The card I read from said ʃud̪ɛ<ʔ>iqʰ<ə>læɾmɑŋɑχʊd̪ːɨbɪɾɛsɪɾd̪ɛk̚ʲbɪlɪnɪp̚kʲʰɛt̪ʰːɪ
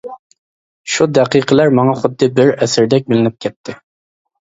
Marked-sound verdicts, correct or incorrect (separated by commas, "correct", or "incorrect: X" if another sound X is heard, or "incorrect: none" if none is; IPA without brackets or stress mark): incorrect: q, correct